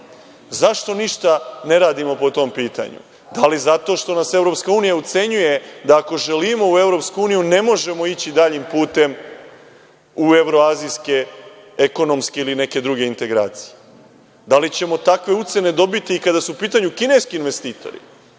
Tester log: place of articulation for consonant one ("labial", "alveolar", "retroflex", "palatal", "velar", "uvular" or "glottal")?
alveolar